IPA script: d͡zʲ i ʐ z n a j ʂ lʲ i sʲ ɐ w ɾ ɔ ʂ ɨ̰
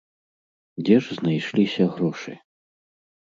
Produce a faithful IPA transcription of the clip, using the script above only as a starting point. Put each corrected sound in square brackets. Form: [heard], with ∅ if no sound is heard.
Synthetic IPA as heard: d͡zʲ [ɛ] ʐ z n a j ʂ lʲ i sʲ ɐ [ɣ] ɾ ɔ ʂ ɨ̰